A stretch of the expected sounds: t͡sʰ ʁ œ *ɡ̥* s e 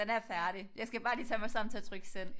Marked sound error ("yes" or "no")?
no